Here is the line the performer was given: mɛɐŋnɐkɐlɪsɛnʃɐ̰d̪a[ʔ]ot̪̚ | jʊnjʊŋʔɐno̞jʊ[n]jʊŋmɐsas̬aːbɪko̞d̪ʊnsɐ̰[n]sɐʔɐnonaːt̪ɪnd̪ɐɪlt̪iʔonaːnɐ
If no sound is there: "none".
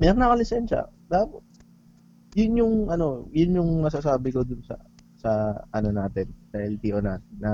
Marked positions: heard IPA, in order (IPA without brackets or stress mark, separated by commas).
p, n, none